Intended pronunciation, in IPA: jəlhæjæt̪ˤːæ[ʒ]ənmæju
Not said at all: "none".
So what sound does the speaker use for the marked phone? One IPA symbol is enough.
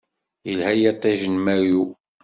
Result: ʒ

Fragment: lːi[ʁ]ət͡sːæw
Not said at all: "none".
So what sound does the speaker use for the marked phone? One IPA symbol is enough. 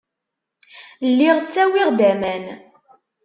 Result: ʁ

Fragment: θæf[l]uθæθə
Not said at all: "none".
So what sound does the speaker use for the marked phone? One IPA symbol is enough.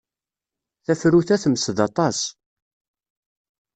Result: ɾ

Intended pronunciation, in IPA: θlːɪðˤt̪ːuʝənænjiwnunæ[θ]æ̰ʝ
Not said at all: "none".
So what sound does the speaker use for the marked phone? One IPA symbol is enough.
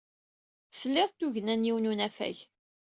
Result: f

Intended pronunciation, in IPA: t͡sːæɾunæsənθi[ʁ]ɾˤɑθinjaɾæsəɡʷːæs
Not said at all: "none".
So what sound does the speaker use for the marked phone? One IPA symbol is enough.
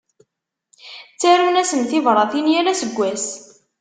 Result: v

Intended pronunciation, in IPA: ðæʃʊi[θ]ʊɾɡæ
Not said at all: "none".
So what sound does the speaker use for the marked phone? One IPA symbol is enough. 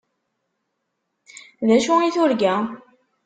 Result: θ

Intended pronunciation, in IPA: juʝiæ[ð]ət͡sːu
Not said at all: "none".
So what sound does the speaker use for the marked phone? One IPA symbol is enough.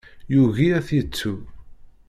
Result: θ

